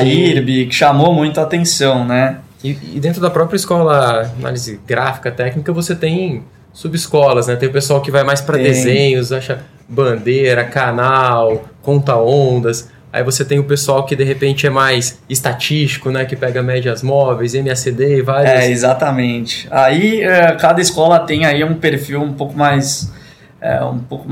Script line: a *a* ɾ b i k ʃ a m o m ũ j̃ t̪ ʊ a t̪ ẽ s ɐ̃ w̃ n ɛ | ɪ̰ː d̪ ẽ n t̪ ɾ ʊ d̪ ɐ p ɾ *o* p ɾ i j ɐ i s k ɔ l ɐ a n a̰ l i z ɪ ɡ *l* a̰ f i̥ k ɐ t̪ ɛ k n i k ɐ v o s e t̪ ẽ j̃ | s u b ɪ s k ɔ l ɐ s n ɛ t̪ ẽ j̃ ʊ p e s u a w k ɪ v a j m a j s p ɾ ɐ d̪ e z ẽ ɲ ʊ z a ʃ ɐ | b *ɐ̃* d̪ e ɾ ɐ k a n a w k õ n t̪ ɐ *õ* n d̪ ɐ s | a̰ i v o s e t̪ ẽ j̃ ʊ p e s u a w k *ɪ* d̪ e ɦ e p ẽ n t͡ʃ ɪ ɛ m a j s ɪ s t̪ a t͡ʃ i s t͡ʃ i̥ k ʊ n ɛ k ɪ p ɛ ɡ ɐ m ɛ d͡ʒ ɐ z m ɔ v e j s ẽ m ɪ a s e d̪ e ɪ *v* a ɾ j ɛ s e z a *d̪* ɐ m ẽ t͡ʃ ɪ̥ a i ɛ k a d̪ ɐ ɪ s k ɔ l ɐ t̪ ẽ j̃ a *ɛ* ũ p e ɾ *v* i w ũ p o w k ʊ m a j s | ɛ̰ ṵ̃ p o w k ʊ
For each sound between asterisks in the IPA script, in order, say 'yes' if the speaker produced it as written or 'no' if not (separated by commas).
no, no, no, yes, yes, yes, yes, no, no, no